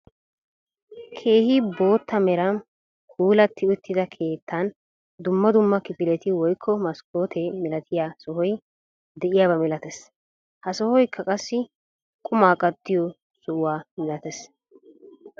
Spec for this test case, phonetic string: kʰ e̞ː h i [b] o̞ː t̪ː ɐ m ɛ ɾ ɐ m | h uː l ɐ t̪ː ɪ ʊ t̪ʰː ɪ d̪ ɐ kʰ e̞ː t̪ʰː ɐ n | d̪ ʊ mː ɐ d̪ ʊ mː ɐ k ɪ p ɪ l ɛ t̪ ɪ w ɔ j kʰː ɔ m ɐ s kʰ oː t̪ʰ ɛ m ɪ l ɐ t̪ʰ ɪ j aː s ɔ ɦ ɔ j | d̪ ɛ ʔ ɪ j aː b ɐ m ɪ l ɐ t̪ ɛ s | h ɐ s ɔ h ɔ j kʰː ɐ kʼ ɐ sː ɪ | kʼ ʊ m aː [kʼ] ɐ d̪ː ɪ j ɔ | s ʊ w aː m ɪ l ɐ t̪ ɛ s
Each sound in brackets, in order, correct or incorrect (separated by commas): correct, correct